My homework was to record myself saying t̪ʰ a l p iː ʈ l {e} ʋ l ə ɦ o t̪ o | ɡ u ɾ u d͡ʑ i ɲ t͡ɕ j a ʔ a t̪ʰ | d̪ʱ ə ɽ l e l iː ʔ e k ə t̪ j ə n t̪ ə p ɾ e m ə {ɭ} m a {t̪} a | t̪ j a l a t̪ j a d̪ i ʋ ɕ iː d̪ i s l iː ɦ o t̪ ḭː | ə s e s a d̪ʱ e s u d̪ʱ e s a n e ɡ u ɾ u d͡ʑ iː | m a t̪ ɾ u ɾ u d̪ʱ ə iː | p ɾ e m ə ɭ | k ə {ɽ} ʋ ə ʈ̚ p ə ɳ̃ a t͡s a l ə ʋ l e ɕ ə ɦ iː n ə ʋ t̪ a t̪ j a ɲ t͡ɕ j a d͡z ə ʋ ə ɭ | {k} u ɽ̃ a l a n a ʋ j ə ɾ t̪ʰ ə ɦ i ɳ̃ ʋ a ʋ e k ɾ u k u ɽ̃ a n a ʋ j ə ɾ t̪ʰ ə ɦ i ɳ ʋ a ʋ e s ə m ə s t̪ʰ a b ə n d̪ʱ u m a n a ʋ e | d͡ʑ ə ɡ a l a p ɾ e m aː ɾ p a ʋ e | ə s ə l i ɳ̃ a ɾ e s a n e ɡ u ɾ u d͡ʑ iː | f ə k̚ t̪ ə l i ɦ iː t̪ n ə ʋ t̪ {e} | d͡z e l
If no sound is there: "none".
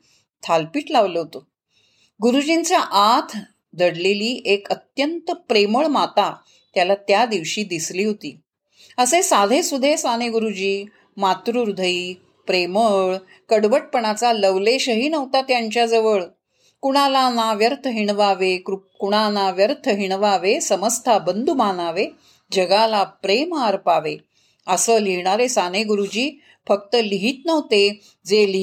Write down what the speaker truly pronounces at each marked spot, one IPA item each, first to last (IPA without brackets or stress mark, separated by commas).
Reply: a, ɭ, t̪, ɽ, k, e